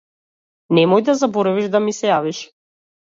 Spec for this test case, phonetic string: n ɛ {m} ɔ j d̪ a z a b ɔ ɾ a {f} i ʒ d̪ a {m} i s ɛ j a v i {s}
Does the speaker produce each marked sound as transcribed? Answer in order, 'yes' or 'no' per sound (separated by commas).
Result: yes, no, yes, no